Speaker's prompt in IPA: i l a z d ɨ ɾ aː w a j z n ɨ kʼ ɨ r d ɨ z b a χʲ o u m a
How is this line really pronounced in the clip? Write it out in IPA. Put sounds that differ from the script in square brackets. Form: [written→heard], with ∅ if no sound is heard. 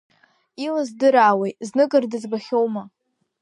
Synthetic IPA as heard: i l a z d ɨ ɾ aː w [a→e] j z n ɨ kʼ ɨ r d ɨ z b a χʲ o [u→w] m a